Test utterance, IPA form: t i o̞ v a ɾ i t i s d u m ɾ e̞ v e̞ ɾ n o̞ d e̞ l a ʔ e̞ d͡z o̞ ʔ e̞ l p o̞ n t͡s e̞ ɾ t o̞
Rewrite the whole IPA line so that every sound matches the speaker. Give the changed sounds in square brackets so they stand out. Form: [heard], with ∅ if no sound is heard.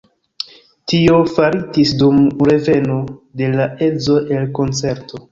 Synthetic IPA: t i o̞ [f] a ɾ i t i s d u m ɾ e̞ v e̞ [∅] n o̞ d e̞ l a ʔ e̞ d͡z o̞ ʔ e̞ l [k] o̞ n t͡s e̞ ɾ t o̞